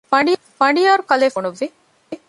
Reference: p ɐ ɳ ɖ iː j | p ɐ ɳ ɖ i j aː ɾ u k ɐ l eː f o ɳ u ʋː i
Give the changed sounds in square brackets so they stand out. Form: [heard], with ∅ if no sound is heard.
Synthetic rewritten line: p ɐ ɳ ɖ [i] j | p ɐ ɳ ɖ i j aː ɾ u k ɐ l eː f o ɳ u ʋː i

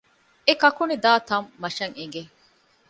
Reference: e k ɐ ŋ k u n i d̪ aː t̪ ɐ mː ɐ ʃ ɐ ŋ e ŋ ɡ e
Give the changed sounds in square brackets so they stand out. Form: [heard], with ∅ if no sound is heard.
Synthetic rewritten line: e k ɐ [∅] k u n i d̪ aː t̪ ɐ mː ɐ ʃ ɐ ŋ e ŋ ɡ e

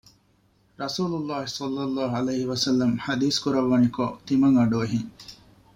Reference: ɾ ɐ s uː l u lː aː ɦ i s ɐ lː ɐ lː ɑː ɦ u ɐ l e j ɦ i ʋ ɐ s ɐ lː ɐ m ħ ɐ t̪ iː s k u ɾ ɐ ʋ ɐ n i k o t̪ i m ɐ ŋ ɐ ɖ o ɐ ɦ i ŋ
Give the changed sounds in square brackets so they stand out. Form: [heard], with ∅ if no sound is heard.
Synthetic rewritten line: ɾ ɐ s uː l u lː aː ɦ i s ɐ lː ɐ lː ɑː ɦ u ɐ l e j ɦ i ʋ ɐ s ɐ lː ɐ m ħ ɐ [d̪] iː s k u ɾ ɐ [ʋː] ɐ n i k o t̪ i m ɐ ŋ ɐ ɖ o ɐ ɦ i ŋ

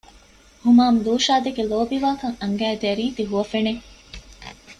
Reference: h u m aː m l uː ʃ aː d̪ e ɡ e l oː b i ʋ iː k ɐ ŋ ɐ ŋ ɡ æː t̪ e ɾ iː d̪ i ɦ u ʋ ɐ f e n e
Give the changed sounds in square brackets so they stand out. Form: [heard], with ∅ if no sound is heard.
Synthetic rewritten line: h u m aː m l uː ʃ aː d̪ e ɡ e l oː b i ʋ [aː] k ɐ ŋ ɐ ŋ ɡ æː [d̪] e ɾ iː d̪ i ɦ u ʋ ɐ f e n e

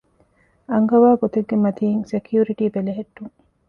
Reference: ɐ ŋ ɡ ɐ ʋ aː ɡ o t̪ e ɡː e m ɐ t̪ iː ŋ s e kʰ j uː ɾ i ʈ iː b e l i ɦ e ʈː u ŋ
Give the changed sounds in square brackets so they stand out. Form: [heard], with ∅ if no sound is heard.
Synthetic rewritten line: ɐ ŋ ɡ ɐ ʋ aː ɡ o t̪ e ɡː e m ɐ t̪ iː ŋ s e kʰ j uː ɾ i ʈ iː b e l [e] ɦ e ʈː u ŋ

